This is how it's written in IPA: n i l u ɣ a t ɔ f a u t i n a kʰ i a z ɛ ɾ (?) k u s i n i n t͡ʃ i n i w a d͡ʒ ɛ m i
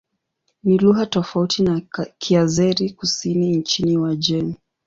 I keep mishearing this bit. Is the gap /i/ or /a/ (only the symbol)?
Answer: i